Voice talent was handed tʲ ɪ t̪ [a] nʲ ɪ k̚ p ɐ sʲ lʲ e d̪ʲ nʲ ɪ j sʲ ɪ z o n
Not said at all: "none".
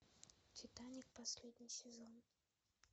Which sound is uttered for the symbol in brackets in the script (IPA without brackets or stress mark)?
a